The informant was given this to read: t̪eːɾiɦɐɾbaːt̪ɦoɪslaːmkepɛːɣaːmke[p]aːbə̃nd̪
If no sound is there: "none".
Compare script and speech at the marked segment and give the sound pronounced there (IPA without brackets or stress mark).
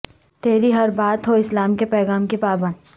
p